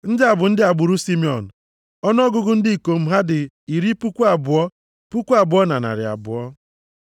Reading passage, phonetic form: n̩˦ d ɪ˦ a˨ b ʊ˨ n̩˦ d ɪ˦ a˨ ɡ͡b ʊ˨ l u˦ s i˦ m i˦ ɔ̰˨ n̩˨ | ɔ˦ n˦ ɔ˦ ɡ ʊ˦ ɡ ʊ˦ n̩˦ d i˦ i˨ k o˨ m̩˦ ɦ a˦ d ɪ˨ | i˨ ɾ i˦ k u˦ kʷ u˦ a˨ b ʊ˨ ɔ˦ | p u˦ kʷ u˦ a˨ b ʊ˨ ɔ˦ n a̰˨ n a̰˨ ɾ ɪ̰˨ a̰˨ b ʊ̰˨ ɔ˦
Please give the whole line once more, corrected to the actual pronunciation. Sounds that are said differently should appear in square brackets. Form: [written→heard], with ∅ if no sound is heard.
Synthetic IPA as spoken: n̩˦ d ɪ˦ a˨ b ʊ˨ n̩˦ d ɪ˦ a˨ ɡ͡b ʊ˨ [l→ɾ] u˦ s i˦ m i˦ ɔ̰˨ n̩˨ | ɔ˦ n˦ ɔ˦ ɡ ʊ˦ ɡ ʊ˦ n̩˦ d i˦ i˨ k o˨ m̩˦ ɦ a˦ d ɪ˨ | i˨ ɾ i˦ [k→p] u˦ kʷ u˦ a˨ b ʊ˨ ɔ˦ | p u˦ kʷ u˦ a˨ b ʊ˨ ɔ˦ n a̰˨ n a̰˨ ɾ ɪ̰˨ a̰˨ b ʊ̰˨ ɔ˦

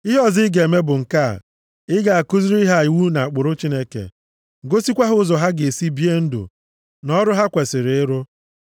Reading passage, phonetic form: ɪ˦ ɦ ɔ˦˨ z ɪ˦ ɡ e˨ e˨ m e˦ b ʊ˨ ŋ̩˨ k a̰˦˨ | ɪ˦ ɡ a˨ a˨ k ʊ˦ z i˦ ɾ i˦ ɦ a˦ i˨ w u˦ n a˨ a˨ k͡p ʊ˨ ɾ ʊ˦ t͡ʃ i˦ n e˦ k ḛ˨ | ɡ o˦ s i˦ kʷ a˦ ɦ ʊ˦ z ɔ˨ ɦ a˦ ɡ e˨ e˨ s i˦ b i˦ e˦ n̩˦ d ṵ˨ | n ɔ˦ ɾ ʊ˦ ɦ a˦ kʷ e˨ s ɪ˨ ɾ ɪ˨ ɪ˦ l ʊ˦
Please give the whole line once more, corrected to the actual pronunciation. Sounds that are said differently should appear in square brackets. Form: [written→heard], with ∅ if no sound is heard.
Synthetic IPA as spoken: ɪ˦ ɦ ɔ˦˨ z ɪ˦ ɡ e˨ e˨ m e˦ b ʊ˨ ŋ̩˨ k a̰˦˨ | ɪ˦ ɡ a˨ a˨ k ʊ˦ z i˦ ɾ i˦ ɦ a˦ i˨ w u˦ n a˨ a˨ k͡p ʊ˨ ɾ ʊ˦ t͡ʃ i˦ n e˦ k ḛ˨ | ɡ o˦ s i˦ kʷ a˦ ɦ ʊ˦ z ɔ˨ ɦ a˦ ɡ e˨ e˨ s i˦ b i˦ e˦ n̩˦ d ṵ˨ | n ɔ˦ ɾ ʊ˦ ɦ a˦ kʷ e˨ s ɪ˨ ɾ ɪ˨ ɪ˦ [l→ɾ] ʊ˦

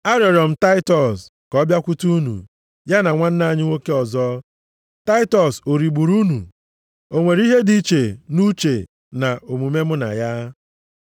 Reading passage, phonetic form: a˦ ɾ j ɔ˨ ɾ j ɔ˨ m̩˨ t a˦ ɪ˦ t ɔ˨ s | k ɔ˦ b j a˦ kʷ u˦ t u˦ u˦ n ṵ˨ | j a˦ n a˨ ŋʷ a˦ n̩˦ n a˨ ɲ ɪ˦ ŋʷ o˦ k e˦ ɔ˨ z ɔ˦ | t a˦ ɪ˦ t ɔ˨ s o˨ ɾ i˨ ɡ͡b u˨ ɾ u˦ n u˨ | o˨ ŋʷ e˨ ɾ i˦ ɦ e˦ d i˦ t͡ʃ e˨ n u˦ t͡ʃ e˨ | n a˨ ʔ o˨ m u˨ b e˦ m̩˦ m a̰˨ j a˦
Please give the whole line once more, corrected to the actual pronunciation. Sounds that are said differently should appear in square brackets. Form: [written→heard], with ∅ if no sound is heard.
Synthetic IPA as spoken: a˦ ɾ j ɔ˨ ɾ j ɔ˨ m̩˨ t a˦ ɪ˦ t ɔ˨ s | k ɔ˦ b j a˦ kʷ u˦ t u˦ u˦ n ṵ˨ | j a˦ n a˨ ŋʷ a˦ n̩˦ n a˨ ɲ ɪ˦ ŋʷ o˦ k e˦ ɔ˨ z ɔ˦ | t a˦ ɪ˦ t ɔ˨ s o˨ ɾ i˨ ɡ͡b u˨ ɾ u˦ n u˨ | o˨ ŋʷ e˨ ɾ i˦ ɦ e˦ d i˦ t͡ʃ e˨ n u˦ t͡ʃ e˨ | n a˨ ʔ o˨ m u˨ [b→m] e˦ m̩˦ [m→n] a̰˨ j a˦

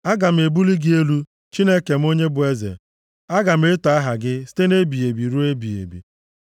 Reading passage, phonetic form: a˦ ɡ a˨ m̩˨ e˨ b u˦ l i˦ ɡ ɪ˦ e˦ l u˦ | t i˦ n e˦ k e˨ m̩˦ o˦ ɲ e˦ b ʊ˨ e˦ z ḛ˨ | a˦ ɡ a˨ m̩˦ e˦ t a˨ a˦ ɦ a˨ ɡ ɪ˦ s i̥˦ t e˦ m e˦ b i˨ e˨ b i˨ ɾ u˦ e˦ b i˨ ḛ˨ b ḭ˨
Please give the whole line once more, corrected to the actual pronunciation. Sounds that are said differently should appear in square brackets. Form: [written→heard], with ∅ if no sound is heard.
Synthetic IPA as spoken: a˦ ɡ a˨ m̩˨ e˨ b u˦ l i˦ ɡ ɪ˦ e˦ l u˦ | [t→t͡ʃ] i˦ n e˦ k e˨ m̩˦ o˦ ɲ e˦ b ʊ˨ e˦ z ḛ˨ | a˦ ɡ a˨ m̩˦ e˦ t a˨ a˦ ɦ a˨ ɡ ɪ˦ s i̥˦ t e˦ [m→n] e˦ b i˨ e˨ b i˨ ɾ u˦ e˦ b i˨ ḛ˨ b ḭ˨

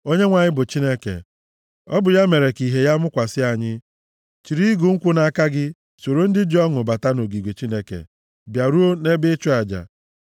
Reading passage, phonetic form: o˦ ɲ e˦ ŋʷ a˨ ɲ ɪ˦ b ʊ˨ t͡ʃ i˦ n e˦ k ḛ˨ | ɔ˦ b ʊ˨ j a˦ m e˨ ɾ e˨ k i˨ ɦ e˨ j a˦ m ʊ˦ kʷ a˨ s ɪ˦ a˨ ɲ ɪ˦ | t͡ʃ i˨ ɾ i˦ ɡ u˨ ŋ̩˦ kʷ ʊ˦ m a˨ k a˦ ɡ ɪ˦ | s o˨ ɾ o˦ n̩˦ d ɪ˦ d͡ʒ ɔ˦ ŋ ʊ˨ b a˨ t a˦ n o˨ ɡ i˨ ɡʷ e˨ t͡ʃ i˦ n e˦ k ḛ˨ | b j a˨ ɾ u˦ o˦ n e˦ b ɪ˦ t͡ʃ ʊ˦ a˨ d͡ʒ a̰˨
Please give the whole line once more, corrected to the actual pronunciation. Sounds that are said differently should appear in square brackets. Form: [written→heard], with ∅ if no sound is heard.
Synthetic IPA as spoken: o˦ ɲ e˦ ŋʷ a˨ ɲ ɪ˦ b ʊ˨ t͡ʃ i˦ n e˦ k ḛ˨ | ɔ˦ b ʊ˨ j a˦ m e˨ ɾ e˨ k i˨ ɦ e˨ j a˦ m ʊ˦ kʷ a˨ s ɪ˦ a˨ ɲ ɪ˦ | t͡ʃ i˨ ɾ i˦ ɡ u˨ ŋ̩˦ kʷ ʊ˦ [m→n] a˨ k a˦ ɡ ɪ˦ | s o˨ ɾ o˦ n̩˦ d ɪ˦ d͡ʒ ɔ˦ ŋ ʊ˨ b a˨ t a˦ n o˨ ɡ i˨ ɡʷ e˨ t͡ʃ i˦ n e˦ k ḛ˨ | b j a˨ ɾ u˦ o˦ n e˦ b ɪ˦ t͡ʃ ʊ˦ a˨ d͡ʒ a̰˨

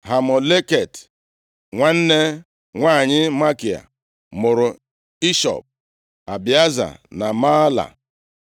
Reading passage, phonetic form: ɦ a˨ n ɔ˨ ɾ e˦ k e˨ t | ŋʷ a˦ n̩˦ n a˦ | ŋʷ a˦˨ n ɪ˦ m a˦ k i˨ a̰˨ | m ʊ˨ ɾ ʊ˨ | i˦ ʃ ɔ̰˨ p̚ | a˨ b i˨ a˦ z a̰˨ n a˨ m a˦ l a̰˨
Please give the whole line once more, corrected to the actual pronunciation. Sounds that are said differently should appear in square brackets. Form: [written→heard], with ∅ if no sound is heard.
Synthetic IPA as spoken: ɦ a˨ [n→m] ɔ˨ [ɾ→l] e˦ k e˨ t | ŋʷ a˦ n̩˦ n [a˦→e˦] | ŋʷ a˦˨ [n→ɲ] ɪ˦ m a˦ k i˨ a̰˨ | m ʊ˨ ɾ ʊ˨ | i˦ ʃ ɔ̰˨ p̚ | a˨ b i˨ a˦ z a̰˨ n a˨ m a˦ l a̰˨

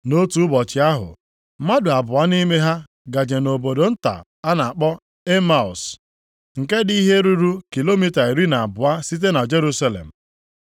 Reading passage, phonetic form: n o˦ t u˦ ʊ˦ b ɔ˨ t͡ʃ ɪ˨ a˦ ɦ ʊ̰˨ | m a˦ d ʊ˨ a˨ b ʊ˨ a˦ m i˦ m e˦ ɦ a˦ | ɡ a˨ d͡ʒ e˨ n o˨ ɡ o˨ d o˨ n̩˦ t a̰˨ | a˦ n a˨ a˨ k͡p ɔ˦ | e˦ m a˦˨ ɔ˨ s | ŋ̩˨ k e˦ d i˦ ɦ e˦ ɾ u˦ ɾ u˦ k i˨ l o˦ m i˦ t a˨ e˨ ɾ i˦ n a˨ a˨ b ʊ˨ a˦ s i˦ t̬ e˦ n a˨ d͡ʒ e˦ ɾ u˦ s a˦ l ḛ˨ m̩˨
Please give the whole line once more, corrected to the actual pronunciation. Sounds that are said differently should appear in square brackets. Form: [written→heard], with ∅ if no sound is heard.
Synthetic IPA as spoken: n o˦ t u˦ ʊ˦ b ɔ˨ t͡ʃ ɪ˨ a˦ ɦ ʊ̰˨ | m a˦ d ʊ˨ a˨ b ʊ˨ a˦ [m→n] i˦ m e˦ ɦ a˦ | ɡ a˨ d͡ʒ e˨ n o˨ [ɡ→b] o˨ d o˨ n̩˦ t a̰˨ | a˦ n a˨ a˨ k͡p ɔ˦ | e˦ m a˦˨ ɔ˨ s | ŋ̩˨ k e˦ d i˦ ɦ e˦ ɾ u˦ ɾ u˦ k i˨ l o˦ m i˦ t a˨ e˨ ɾ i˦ n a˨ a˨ b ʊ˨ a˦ s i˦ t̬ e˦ n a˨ d͡ʒ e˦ ɾ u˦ s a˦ l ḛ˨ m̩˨

